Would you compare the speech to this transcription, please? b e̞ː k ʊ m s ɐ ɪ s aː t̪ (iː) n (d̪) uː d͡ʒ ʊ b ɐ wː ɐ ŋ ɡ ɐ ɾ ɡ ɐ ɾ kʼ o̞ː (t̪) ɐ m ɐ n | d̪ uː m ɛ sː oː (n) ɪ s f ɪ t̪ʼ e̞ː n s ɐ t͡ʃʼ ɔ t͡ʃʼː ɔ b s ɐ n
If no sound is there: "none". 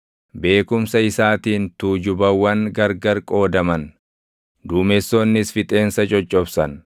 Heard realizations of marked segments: iː, t̪, d̪, nː

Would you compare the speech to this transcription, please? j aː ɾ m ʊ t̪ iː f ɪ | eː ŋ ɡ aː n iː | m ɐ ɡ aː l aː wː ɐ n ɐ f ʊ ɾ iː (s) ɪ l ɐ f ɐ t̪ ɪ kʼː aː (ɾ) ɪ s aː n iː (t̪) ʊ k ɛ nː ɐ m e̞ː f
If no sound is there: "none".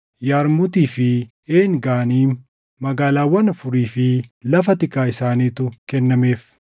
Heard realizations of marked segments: f, none, t̪

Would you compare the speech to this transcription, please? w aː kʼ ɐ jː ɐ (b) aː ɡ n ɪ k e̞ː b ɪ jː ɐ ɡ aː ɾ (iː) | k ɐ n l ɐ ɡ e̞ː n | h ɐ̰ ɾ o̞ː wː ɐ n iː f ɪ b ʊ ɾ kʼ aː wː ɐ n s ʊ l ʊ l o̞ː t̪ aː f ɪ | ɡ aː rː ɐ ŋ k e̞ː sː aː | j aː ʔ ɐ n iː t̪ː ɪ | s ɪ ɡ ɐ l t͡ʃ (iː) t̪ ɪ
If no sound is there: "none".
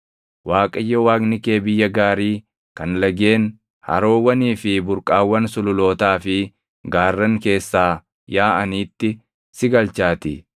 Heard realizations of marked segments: w, iː, aː

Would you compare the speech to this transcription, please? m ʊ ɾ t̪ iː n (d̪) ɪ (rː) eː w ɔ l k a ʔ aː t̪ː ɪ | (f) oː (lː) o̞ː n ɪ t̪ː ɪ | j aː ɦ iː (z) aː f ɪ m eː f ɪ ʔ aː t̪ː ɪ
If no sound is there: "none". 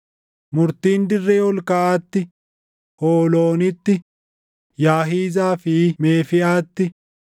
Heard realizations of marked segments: d̪, rː, h, l, z

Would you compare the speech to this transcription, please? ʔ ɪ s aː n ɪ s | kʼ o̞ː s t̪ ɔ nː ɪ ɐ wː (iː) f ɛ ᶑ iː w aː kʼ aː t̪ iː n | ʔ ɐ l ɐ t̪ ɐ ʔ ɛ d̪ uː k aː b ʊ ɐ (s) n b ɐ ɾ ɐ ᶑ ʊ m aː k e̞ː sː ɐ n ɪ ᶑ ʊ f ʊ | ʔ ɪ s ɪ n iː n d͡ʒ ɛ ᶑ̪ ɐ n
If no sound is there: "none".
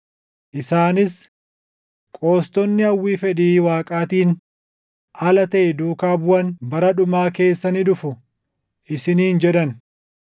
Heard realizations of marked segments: iː, none

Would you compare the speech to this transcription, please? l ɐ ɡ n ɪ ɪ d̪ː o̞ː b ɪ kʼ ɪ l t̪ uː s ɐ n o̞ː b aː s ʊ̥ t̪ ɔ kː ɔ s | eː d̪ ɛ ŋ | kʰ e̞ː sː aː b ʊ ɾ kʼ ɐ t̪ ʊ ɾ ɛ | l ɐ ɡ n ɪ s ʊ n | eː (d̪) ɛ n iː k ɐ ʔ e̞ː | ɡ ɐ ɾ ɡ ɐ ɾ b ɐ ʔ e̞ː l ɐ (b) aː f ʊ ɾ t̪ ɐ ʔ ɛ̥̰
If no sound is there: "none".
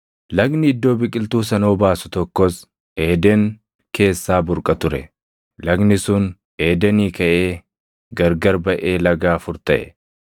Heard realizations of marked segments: d̪, ɡ

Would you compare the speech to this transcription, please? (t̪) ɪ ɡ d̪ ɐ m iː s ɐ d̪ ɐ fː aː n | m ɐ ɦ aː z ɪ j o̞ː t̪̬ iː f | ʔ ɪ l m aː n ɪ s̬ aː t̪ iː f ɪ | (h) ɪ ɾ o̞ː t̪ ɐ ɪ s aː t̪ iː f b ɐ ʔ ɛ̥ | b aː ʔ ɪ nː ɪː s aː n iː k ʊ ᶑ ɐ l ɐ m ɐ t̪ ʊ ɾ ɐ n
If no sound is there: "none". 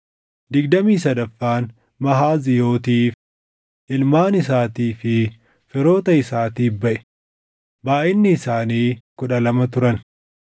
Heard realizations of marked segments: d̪, f

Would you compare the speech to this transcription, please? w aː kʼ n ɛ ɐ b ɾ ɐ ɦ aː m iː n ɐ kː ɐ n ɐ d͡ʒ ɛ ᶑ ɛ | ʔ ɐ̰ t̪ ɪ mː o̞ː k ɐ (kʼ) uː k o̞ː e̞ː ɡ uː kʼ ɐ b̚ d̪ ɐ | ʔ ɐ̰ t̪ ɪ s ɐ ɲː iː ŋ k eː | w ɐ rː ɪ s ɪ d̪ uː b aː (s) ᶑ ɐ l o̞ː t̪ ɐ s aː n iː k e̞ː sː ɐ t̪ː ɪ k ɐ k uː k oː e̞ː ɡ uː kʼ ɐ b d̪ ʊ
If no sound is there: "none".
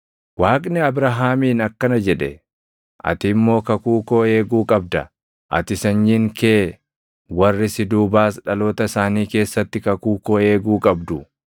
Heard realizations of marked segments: k, s

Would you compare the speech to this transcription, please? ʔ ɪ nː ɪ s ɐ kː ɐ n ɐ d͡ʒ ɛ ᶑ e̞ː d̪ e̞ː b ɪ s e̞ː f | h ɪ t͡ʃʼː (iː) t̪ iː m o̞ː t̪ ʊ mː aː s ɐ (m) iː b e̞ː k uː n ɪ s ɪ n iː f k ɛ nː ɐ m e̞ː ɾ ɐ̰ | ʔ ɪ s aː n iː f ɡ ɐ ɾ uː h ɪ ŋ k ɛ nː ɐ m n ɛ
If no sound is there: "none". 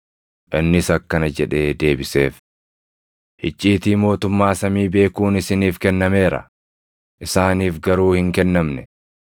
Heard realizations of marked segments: iː, m

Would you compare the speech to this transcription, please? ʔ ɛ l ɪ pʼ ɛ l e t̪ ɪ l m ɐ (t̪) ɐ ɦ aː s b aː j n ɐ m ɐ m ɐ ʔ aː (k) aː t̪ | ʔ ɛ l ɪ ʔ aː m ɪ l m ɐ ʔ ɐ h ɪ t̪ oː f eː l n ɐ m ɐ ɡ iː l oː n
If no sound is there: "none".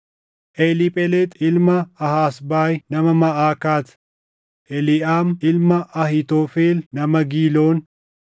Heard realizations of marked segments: none, k

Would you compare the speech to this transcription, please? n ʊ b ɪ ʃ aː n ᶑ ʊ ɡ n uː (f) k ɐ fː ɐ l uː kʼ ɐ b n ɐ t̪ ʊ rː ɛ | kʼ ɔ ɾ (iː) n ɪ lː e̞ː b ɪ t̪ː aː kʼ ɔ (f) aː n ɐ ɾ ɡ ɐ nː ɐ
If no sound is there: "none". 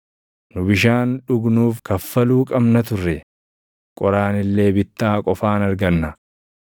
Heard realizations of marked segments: f, aː, f

